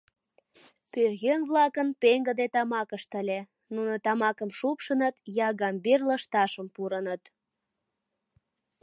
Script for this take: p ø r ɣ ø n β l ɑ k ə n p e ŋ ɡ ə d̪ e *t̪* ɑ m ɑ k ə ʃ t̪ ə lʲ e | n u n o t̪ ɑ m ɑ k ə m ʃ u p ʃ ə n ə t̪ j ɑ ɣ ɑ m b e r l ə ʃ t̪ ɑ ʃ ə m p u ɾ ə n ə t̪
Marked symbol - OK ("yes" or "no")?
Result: yes